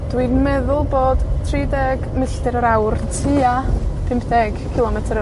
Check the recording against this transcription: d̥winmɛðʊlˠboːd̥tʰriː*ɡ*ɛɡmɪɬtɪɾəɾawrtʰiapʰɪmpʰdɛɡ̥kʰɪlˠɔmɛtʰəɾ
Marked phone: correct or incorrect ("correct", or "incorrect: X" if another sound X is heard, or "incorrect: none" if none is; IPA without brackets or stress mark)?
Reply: incorrect: d